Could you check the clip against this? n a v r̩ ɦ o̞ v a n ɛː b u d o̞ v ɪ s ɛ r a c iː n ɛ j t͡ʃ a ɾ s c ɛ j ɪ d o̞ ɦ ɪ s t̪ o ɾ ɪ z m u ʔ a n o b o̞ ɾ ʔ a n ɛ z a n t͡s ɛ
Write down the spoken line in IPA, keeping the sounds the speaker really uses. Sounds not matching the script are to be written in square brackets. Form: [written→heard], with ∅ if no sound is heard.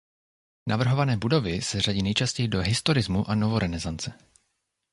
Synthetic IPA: n a v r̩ ɦ o̞ v a n ɛː b u d o̞ v ɪ s ɛ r a [c→ɟ] iː n ɛ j t͡ʃ a [ɾ→∅] s c ɛ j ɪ d o̞ ɦ ɪ s t̪ o ɾ ɪ z m u ʔ a n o [b→v] o̞ ɾ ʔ [a→ɛ] n ɛ z a n t͡s ɛ